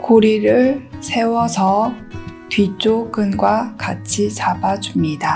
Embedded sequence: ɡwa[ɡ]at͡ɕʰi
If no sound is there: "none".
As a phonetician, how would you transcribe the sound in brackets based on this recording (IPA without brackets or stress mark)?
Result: k